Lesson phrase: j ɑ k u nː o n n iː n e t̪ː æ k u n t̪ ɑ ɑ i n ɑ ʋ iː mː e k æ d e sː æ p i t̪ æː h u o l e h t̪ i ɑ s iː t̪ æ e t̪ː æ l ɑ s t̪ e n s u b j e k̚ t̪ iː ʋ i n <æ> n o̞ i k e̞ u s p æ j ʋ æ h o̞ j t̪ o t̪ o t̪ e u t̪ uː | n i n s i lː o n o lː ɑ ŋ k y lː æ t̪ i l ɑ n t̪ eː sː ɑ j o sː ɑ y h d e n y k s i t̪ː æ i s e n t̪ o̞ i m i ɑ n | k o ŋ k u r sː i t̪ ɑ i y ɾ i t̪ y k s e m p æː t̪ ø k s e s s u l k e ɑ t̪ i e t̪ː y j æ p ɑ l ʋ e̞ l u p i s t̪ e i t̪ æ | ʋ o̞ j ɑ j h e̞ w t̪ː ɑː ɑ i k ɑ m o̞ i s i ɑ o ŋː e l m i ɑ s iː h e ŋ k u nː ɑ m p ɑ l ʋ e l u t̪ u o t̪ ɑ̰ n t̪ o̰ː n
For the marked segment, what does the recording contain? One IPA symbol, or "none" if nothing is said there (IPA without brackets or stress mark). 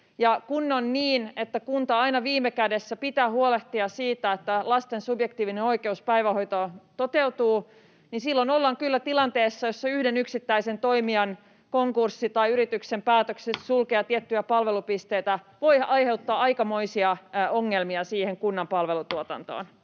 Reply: e